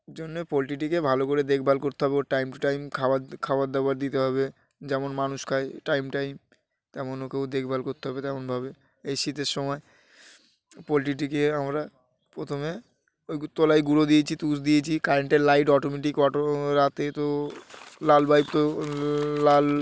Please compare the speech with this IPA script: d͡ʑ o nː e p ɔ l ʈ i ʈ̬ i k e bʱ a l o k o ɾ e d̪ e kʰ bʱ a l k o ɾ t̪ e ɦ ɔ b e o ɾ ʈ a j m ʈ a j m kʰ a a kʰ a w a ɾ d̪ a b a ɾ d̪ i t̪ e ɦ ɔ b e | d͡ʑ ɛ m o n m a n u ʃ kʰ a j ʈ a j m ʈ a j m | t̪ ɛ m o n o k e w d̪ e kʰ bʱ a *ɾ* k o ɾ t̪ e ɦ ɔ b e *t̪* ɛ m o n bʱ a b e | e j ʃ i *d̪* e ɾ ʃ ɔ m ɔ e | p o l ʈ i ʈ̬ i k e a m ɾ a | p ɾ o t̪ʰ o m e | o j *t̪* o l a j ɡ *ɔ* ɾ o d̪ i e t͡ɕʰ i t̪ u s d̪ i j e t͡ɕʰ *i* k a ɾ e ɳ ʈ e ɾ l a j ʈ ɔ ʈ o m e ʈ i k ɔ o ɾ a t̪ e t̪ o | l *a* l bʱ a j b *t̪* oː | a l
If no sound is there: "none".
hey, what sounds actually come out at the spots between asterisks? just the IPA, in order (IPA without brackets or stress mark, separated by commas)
l, t̪, t̪, t̪, u, i, a, t̪